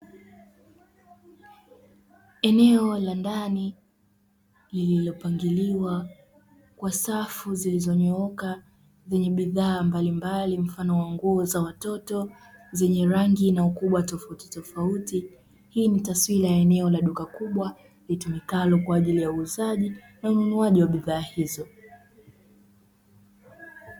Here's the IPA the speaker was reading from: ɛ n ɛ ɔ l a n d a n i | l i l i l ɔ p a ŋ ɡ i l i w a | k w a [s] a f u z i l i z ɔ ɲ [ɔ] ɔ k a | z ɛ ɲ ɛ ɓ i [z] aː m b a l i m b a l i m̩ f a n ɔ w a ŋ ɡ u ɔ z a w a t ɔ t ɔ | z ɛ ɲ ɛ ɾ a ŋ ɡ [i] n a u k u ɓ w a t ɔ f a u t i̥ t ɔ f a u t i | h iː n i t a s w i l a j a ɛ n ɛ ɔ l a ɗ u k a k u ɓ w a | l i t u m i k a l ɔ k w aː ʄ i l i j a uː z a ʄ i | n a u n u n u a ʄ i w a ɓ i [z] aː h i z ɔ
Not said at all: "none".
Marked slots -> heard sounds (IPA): s, ɔ, ð, i, ð

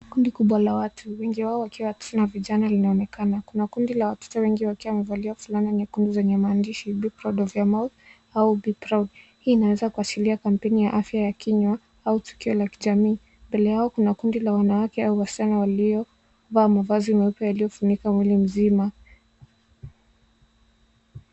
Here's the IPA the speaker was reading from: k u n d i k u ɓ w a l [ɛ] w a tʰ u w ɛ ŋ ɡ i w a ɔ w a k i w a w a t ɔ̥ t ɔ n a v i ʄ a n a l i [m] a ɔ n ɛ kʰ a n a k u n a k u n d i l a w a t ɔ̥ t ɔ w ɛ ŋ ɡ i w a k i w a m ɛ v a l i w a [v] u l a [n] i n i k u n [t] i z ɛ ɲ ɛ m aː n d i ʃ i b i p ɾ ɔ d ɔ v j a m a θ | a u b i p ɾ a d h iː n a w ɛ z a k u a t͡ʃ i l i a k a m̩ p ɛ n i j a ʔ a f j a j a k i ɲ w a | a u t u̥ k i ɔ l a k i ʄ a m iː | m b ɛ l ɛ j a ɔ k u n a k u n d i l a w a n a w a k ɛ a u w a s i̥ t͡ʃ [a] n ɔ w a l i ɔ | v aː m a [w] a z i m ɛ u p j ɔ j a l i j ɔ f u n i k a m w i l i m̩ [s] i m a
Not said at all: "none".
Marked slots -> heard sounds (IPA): a, n, f, n, d, a, v, z

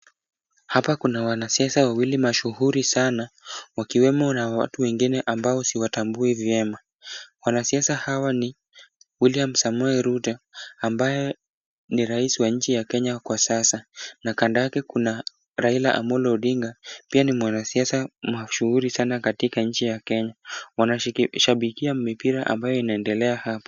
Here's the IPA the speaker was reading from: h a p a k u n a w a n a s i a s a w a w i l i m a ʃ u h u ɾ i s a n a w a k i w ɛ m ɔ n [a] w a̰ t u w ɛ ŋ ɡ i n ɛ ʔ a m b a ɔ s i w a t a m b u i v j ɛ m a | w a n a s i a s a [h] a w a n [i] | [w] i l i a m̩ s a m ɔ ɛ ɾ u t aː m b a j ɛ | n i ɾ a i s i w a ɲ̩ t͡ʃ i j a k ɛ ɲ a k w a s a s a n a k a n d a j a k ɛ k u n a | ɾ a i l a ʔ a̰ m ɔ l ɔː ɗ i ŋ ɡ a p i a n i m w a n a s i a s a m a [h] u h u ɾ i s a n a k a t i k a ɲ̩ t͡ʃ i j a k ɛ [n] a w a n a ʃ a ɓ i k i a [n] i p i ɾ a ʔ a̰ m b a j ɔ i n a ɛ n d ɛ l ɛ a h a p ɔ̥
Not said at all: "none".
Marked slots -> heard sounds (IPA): a, h, i, w, ʃ, ɲ, m

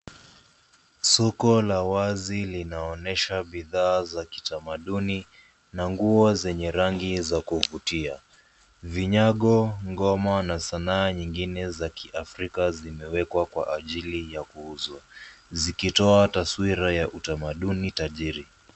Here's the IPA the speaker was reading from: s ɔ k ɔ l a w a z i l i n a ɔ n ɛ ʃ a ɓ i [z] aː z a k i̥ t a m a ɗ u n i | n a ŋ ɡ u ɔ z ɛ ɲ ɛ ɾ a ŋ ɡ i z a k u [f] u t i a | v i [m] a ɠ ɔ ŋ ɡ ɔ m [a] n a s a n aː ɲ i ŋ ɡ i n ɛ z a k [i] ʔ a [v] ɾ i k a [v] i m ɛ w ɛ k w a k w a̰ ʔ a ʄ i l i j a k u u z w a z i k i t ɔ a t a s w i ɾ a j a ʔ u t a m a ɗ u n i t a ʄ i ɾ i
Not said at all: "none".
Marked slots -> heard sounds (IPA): ð, v, ɲ, a, i, f, z

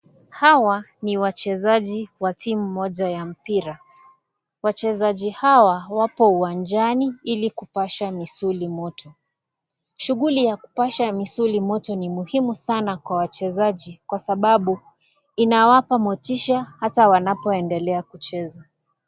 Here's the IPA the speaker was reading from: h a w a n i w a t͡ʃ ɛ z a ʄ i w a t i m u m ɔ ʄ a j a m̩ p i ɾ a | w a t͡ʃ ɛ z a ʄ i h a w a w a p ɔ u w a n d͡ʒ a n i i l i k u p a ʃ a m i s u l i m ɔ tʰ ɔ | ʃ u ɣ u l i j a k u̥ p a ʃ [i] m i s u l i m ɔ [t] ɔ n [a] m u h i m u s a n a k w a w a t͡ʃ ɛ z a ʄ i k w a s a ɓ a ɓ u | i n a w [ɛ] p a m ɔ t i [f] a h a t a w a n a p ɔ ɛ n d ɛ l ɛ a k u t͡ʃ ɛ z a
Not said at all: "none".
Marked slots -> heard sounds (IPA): a, t, i, a, ʃ

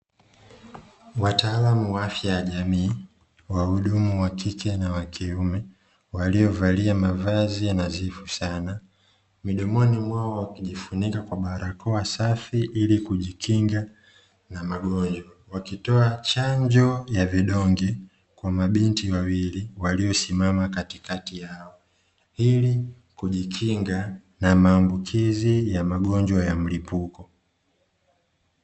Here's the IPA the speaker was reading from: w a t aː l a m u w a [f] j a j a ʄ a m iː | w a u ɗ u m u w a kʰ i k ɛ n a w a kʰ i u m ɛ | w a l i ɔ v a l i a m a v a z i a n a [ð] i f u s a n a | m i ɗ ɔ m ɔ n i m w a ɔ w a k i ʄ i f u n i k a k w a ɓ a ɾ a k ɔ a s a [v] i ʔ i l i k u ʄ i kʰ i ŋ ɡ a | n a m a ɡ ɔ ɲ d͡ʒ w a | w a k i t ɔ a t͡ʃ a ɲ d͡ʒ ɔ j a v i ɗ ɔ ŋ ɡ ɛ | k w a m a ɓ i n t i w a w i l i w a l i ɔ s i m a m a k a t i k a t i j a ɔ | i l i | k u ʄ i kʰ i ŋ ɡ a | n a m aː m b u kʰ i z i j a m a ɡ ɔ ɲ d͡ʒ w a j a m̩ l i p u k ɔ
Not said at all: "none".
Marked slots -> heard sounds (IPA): f, z, f

